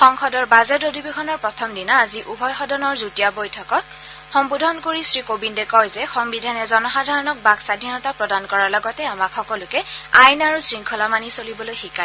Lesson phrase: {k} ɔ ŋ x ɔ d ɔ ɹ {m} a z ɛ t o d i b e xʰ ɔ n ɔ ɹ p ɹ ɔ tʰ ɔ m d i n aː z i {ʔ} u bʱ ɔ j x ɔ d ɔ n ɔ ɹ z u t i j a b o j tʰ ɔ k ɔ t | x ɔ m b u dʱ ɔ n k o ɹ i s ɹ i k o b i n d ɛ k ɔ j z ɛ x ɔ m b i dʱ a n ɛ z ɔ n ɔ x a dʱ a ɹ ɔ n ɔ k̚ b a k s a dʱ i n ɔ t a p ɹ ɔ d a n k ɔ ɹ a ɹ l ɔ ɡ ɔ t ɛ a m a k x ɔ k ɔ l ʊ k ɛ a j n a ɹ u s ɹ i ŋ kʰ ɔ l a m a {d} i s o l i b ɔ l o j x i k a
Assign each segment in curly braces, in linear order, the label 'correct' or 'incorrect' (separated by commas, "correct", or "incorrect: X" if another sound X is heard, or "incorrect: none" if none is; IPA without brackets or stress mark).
incorrect: x, incorrect: b, correct, incorrect: n